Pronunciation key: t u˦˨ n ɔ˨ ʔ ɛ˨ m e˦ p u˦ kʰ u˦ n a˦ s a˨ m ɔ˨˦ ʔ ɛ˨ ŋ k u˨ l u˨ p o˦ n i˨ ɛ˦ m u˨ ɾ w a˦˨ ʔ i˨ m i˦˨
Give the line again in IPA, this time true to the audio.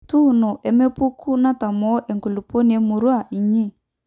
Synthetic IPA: t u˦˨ n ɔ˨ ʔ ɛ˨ m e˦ p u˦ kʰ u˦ n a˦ t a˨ m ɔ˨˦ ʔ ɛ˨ ŋ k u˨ l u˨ p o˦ n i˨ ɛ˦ m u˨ ɾ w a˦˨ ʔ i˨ ɲ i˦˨